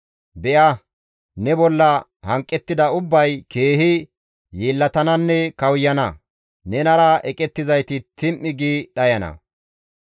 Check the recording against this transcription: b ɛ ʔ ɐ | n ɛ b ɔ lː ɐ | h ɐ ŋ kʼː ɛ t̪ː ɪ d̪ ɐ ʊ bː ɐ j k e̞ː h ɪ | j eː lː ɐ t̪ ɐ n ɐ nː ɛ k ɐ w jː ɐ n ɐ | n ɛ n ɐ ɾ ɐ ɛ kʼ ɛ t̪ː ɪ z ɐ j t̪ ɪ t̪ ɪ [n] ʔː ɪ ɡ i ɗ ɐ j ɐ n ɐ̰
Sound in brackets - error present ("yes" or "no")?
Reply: yes